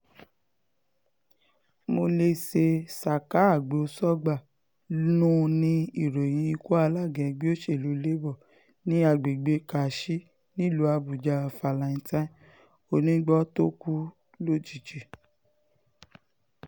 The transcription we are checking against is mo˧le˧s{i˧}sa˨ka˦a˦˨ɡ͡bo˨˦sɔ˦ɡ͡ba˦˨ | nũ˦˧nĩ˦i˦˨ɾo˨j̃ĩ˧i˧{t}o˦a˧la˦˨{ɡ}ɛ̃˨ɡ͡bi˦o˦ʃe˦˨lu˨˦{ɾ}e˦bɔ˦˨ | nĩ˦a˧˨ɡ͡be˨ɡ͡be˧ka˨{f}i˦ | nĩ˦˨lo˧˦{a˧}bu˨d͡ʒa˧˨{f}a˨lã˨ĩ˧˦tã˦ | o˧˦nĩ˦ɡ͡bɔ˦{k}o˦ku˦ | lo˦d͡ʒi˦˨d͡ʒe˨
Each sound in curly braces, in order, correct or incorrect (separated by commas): incorrect, incorrect, correct, incorrect, incorrect, correct, correct, incorrect